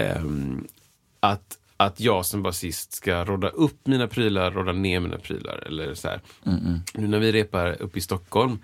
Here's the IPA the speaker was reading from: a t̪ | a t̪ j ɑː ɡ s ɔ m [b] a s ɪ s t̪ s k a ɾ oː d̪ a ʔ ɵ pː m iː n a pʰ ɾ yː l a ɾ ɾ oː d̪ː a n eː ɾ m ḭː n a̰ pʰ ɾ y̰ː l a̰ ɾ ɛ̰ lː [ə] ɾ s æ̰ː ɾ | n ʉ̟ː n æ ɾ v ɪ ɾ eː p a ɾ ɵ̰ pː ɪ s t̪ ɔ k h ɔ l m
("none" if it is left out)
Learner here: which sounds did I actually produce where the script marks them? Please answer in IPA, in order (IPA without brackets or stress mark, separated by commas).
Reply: b, ə